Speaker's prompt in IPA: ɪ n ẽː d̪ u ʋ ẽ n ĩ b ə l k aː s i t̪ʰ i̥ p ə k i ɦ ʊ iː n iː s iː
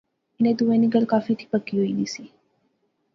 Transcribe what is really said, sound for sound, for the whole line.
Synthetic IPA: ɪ n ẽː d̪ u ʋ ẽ n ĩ ɡ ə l k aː f i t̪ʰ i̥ p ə k i ɦ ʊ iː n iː s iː